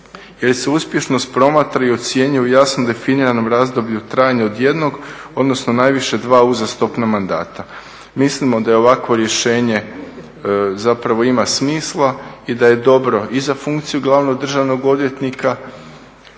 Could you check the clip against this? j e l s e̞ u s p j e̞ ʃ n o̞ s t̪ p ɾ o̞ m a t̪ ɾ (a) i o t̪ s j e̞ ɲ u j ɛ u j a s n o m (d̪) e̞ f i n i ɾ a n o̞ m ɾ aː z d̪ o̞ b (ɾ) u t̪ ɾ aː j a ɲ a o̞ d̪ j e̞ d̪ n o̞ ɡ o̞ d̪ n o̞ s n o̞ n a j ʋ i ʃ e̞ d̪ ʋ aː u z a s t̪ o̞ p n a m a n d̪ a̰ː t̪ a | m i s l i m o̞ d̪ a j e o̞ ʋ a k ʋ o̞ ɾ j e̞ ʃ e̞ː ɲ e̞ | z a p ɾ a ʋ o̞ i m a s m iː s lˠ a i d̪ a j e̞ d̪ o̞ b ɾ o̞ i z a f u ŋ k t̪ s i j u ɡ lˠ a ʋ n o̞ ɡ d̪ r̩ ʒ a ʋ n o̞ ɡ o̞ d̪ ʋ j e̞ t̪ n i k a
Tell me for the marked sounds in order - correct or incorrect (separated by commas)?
correct, correct, incorrect